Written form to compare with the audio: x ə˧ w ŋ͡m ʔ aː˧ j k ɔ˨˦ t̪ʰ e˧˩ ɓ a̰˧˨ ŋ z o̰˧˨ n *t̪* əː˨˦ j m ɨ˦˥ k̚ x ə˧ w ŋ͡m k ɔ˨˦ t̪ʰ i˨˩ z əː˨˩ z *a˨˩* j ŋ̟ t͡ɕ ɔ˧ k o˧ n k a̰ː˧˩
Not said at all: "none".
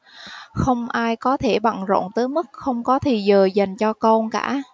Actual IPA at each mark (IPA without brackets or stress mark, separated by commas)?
t̪, a˨˩